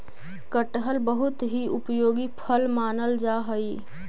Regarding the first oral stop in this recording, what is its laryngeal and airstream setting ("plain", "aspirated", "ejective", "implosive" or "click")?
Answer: plain